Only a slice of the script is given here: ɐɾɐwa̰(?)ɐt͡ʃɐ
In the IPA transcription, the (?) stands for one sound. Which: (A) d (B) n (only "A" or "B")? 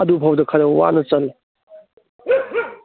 B